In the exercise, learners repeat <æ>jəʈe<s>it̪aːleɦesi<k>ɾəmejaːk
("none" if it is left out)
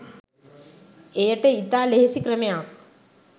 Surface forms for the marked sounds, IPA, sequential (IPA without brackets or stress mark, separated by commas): e, none, k